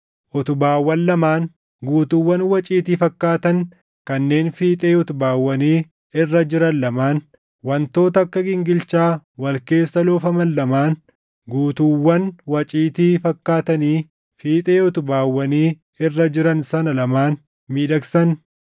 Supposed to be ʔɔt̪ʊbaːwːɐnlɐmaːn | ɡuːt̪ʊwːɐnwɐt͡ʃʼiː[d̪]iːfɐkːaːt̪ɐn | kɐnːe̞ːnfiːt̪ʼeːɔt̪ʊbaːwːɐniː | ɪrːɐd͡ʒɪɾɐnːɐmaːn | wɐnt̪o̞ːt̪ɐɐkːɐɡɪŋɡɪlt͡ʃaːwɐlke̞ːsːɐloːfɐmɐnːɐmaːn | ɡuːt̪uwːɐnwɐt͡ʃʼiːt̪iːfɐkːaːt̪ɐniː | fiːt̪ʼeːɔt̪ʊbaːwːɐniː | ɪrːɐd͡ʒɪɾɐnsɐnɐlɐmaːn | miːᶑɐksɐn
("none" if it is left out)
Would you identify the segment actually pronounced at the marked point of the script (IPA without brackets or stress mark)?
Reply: t̪